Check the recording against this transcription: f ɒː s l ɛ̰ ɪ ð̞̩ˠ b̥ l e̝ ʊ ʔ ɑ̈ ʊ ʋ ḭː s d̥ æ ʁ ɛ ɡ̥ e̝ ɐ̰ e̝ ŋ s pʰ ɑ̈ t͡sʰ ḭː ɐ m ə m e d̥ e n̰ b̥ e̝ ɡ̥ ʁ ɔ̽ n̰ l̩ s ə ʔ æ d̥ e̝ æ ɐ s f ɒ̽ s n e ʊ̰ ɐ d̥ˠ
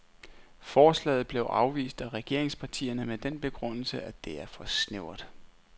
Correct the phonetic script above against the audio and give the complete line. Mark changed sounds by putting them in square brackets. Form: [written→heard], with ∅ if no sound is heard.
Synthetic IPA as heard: f ɒː s l ɛ̰ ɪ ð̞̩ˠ b̥ l e̝ ʊ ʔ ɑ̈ ʊ ʋ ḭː s d̥ æ ʁ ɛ ɡ̥ e̝ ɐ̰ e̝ ŋ s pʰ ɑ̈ t͡sʰ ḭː ɐ [m→n] ə m e d̥ e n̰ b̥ e̝ ɡ̥ ʁ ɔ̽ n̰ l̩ s ə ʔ æ d̥ e̝ æ ɐ [s→∅] f ɒ̽ s n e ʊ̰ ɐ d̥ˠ